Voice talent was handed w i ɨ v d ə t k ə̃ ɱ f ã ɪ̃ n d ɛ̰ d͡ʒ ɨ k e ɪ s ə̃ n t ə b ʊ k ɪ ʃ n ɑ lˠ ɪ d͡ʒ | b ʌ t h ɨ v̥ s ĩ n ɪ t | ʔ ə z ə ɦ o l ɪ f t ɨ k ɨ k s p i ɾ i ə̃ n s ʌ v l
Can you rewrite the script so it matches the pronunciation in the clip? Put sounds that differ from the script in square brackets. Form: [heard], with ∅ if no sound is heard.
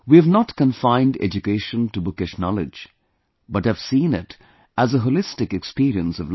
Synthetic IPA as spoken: w i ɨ v [n] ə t k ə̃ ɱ f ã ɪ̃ n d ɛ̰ d͡ʒ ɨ k e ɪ [ʃ] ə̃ n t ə b ʊ k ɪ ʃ n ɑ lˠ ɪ d͡ʒ | b ʌ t h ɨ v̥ s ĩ n ɪ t | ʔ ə z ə ɦ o l ɪ [s] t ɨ k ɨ k s p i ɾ i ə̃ n s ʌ v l